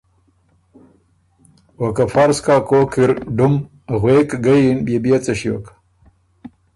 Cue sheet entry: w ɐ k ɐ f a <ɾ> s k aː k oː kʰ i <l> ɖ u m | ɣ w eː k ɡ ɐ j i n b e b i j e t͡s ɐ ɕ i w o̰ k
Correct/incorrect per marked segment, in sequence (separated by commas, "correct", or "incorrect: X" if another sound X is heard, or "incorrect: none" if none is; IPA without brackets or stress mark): correct, incorrect: ɾ